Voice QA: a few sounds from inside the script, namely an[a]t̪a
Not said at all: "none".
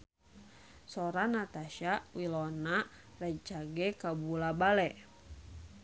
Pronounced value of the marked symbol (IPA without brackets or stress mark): a